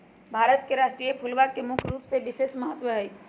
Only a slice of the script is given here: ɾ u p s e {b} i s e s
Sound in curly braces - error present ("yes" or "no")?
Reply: no